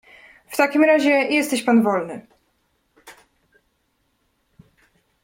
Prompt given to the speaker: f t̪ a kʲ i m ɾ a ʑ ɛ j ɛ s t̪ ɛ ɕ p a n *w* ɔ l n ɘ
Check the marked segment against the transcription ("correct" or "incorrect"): incorrect